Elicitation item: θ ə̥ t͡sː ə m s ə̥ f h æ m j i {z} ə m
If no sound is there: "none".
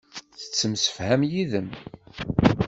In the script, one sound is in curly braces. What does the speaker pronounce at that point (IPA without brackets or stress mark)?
ð